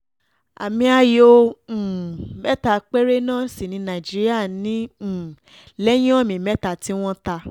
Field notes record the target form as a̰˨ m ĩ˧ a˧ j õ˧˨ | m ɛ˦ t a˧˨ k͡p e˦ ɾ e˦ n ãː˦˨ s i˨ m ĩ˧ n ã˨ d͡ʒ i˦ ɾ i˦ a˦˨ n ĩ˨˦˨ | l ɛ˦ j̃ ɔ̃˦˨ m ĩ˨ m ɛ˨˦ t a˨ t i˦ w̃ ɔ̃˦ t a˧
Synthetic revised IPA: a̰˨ m ĩ˧ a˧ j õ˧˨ | m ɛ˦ t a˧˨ k͡p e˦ ɾ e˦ n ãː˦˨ s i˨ n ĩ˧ n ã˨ d͡ʒ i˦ ɾ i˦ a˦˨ n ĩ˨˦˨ | l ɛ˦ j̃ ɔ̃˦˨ m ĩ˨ m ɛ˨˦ t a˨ t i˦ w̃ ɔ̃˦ t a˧